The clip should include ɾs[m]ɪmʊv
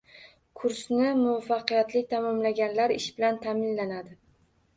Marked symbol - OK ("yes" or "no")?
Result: no